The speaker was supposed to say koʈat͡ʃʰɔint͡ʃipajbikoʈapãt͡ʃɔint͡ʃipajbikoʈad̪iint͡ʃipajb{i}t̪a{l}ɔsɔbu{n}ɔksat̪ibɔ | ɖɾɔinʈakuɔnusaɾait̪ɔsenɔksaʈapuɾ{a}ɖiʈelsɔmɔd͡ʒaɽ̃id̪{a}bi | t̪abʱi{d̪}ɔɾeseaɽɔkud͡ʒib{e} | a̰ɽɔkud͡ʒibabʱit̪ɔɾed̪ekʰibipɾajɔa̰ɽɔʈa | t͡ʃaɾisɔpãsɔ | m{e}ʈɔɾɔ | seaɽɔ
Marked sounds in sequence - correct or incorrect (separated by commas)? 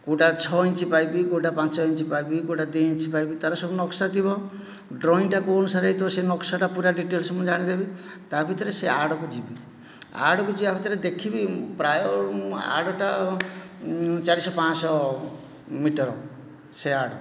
correct, incorrect, correct, correct, incorrect, incorrect, incorrect, incorrect